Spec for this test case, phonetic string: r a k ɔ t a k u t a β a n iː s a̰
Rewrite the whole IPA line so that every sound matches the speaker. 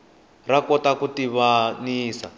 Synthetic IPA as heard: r a k ɔ t a k u t i β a n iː s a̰